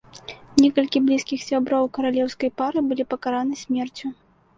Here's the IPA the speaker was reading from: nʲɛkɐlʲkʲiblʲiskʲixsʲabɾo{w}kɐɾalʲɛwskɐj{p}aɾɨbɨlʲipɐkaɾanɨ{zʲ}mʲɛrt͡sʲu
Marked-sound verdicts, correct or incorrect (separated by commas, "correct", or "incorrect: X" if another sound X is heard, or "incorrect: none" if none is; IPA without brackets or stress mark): correct, correct, incorrect: sʲ